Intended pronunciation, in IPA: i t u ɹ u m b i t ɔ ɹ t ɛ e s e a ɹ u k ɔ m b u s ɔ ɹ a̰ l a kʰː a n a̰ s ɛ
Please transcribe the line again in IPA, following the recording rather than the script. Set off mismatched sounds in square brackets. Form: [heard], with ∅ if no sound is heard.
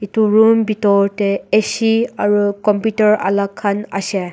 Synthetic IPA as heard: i t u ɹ u m b i t ɔ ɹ t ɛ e s [i] a ɹ u k ɔ m [p] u [t] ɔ ɹ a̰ l a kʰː a n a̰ s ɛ

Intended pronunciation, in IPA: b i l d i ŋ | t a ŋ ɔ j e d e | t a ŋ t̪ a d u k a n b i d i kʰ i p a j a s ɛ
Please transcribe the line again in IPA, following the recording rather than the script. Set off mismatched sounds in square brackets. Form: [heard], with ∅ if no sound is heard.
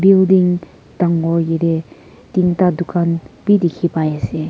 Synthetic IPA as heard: b i l d i ŋ | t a ŋ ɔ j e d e | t [i] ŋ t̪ a d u k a n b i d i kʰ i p a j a s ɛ

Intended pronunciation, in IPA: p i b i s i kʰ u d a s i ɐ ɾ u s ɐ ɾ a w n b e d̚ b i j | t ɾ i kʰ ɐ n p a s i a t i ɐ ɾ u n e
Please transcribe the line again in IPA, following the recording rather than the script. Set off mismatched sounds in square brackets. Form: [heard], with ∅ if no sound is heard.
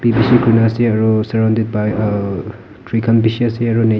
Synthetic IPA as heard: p i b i s i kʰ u [n] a s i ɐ ɾ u s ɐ ɾ a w n [d] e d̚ b [a] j | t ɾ i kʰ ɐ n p [i] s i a [s] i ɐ ɾ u n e

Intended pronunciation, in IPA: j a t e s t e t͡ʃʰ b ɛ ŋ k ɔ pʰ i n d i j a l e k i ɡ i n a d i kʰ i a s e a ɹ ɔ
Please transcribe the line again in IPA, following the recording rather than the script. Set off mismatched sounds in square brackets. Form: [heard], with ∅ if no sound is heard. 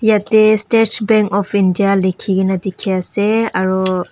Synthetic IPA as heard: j a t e s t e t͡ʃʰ b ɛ ŋ k ɔ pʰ i n d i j a l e [kʰ] i ɡ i n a d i kʰ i a s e a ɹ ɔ

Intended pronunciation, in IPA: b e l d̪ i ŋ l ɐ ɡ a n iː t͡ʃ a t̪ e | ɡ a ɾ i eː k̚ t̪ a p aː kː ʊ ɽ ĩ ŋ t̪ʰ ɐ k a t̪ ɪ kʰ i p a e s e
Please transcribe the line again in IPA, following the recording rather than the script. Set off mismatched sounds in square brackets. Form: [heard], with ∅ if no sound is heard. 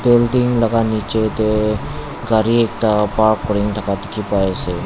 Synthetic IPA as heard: b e l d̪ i ŋ l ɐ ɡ a n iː t͡ʃ [e] t̪ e | ɡ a ɾ i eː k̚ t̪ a p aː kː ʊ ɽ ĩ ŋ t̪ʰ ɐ k a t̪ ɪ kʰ i p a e s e

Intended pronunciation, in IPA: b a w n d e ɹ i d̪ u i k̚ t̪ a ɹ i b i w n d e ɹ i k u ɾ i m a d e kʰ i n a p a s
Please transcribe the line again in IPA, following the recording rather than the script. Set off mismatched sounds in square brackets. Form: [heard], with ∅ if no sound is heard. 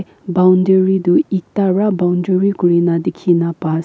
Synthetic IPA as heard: b a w n d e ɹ i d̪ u i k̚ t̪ a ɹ [a] b [a] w n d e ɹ i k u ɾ i [n] a d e kʰ i n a p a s

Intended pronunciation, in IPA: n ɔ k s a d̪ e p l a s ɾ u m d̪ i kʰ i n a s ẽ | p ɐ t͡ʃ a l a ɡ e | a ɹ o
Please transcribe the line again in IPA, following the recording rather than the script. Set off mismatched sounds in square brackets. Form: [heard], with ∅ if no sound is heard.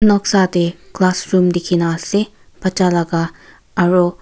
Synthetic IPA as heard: n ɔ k s a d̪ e [k] l a s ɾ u m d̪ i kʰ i n a s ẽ | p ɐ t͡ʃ a l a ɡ [a] | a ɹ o

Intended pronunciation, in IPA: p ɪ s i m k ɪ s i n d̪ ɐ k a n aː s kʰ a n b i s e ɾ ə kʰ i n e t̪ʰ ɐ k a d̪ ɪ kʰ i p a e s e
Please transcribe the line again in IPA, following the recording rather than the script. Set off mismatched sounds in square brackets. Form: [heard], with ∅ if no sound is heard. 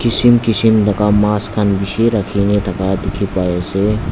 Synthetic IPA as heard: [k] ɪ s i m k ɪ s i [m] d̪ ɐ k a [m] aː s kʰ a n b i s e ɾ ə kʰ i n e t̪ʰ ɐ k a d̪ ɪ kʰ i p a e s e

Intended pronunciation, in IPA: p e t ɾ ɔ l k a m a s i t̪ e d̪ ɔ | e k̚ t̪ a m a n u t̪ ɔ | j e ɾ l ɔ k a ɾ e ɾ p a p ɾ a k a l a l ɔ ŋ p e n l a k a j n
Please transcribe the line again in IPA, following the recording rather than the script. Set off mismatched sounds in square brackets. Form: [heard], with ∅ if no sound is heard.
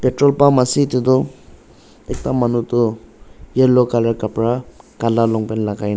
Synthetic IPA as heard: p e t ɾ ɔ l [p] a m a s i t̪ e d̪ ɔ | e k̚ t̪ a m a n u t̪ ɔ | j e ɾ l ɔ k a [l] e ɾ [k] a p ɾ a k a l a l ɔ ŋ p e n l a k a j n

